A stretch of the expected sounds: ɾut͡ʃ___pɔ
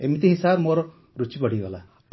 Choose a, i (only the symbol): i